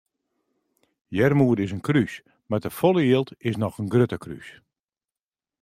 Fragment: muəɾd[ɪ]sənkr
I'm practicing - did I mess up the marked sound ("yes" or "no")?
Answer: no